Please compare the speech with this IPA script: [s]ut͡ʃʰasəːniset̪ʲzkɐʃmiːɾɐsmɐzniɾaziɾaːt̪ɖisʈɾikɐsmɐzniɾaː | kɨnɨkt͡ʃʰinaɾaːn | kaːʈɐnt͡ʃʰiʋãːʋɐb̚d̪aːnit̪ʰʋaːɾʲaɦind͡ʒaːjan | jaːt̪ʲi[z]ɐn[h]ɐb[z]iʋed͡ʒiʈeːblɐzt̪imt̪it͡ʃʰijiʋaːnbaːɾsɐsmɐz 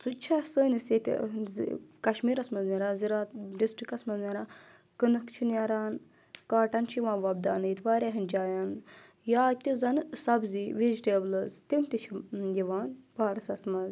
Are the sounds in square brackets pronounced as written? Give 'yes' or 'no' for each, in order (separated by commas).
no, yes, no, yes